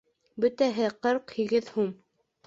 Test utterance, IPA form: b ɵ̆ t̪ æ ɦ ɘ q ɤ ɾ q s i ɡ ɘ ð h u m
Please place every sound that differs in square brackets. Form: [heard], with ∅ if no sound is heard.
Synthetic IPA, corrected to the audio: b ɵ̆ t̪ æ ɦ ɘ q ɤ ɾ q [h] i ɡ ɘ ð h u m